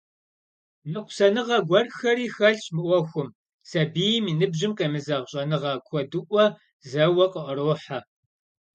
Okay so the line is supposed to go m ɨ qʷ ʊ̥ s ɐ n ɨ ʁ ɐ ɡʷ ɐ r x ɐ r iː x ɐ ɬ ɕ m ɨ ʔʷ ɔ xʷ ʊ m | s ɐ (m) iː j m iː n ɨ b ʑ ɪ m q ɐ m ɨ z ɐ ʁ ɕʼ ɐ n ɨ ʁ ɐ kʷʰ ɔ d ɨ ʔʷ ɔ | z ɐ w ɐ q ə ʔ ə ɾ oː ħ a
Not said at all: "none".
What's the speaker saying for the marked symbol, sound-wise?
b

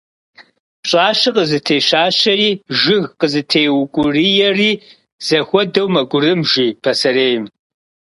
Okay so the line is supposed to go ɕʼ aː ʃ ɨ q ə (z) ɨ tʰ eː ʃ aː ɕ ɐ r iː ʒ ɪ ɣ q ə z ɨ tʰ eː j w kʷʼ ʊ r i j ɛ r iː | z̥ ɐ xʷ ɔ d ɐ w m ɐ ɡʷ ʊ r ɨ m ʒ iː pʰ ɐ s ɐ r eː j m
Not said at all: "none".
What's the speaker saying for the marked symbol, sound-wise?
z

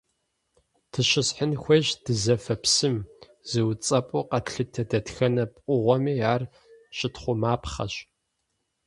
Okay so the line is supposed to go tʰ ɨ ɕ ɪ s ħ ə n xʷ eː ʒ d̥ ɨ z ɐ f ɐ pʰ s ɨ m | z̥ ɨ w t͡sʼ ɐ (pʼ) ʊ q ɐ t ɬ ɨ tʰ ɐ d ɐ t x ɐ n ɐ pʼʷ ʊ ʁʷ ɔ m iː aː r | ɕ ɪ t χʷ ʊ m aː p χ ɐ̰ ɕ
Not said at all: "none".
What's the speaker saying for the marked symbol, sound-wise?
pʼ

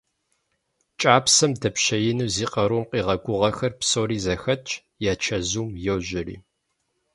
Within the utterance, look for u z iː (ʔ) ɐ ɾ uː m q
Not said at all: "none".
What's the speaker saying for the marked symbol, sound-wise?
q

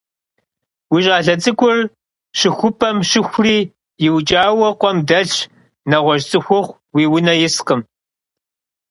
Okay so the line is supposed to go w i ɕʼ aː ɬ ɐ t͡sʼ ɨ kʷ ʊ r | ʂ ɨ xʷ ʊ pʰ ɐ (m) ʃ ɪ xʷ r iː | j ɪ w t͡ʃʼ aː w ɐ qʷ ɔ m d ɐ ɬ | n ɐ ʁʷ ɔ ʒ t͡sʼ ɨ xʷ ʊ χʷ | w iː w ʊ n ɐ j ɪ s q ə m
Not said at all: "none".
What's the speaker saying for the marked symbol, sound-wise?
m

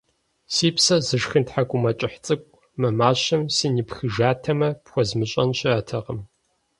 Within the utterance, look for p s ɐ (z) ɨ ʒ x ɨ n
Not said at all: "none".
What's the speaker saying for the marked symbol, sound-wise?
z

